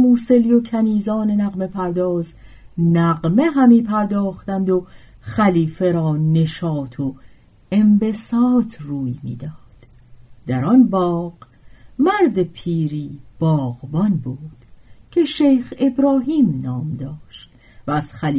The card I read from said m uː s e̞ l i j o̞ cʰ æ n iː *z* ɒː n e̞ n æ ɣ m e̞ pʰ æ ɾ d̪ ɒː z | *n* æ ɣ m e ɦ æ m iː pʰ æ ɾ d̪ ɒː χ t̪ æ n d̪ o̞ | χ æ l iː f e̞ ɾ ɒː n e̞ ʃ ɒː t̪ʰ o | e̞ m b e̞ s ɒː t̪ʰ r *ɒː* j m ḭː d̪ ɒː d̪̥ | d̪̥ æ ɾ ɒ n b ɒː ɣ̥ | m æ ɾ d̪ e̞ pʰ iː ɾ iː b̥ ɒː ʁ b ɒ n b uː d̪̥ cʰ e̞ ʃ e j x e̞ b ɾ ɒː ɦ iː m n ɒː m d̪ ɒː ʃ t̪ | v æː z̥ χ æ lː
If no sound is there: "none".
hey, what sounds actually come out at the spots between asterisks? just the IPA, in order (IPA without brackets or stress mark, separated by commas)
z, n, uː